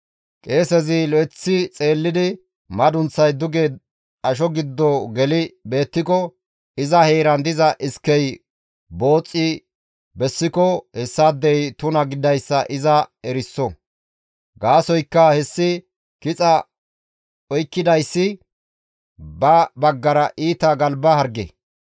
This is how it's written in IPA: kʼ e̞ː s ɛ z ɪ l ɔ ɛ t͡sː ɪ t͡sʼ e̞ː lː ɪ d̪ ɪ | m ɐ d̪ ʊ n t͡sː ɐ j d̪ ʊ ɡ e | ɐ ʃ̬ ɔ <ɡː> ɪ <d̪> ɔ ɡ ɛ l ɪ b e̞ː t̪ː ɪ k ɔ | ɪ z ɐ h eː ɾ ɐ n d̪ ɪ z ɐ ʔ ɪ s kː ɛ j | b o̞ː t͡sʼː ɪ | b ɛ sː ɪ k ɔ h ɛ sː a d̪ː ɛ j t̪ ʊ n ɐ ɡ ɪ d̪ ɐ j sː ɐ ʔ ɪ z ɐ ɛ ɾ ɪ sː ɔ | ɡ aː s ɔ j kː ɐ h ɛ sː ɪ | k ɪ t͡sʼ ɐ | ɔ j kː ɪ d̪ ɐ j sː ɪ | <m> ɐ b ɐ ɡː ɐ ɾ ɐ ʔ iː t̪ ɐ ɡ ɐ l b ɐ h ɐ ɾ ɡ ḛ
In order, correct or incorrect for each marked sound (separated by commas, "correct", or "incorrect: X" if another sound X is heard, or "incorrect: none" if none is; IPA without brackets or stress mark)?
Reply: incorrect: ɡ, incorrect: d̪ː, incorrect: b